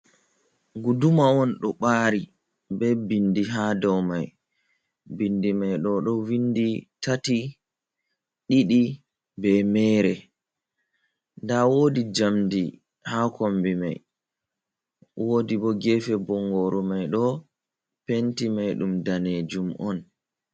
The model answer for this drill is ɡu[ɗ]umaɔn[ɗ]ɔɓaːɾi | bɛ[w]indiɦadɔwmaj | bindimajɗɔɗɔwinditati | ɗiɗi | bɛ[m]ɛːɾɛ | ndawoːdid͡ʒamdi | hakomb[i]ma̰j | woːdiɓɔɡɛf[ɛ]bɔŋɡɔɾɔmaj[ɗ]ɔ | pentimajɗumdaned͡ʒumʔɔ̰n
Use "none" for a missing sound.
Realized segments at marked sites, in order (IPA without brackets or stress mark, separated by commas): d, ɗ, b, m, i, ɛ, ɗ